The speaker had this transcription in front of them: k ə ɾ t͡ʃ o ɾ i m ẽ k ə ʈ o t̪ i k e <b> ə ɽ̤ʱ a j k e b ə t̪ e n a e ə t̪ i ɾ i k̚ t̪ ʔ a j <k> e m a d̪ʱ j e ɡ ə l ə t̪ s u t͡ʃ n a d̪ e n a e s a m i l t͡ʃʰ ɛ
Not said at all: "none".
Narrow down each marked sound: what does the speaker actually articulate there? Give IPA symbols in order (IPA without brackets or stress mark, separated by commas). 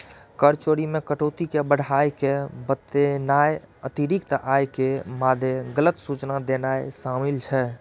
b, k